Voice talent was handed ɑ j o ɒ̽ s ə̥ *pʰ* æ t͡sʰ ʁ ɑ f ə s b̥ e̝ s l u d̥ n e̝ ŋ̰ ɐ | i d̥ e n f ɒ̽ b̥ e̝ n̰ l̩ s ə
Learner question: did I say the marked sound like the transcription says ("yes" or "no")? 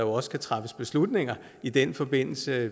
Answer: no